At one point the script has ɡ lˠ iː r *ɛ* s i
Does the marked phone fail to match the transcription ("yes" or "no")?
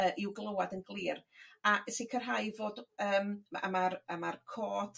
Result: yes